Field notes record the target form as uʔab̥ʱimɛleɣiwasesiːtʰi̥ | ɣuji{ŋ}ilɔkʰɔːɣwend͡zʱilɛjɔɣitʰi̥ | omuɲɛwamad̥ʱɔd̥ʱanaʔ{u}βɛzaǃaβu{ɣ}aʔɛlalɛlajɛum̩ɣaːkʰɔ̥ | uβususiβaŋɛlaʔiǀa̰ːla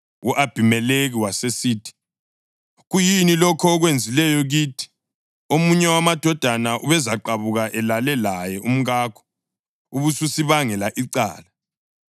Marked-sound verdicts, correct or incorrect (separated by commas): incorrect, correct, correct